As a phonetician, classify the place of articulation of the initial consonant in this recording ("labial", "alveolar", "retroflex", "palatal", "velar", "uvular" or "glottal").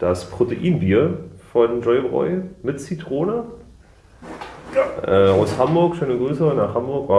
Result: alveolar